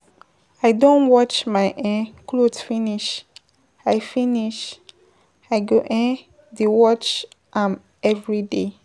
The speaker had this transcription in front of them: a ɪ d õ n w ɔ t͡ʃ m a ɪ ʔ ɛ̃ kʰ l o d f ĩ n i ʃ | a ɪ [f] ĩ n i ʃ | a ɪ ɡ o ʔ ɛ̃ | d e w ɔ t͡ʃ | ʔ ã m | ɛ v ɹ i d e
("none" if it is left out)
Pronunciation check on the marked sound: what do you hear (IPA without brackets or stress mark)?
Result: f